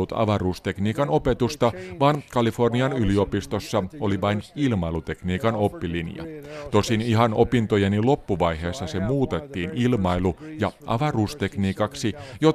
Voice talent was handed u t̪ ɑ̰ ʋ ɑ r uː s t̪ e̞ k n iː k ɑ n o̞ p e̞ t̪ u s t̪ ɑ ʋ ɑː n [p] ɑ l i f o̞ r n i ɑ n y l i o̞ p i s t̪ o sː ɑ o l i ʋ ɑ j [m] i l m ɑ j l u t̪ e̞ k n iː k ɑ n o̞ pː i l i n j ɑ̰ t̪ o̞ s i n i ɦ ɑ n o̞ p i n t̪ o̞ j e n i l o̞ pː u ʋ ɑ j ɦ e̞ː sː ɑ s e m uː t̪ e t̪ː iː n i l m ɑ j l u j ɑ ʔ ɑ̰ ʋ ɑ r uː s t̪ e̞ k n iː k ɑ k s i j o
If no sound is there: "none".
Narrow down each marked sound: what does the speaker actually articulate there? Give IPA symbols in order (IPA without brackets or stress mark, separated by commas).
k, n